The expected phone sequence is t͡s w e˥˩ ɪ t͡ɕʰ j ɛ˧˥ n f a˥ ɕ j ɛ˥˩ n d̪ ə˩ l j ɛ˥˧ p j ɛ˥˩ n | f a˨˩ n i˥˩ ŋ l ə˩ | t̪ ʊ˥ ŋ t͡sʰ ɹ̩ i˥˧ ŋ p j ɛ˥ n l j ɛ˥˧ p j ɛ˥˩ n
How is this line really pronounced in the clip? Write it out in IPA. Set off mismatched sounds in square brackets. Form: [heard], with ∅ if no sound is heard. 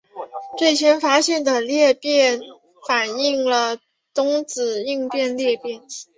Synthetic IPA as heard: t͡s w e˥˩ ɪ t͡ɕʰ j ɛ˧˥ n f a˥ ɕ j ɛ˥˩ n d̪ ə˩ l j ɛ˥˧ p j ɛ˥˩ n | f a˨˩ n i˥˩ ŋ l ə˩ | t̪ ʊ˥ ŋ [t͡s] ɹ̩ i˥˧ ŋ p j [ɛ˥˧] n l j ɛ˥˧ p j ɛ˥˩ n